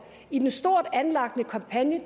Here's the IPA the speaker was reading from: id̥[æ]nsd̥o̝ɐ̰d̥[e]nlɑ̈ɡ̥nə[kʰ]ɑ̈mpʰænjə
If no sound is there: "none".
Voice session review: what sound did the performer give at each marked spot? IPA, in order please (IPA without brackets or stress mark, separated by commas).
e, æ, kʰ